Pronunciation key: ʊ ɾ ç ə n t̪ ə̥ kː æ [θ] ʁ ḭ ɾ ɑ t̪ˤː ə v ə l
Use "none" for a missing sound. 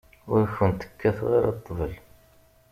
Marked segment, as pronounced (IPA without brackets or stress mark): θ